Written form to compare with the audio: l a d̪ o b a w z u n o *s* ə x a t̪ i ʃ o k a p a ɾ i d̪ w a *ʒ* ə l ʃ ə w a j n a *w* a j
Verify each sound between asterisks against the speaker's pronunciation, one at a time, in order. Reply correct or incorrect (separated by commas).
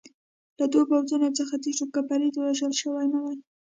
incorrect, correct, correct